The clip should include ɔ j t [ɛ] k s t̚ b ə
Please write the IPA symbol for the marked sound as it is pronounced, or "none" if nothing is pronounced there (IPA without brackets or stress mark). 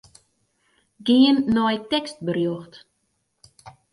ɛ